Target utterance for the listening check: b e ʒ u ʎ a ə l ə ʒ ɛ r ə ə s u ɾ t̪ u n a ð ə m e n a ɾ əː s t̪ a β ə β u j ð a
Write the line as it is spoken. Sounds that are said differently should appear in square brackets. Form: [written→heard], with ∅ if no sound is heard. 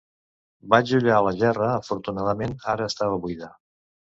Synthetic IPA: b [e→a] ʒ u ʎ a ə l ə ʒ ɛ r ə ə [s→f] u ɾ t̪ u n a ð ə m e n a ɾ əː s t̪ a β ə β u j ð a